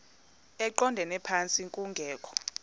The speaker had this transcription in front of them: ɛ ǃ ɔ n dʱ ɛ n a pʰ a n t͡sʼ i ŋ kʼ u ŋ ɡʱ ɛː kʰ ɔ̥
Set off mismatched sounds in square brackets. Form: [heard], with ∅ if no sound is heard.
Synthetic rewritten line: ɛ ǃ ɔ n dʱ ɛ n [ɛ] pʰ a n t͡sʼ i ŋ kʼ u ŋ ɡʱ ɛː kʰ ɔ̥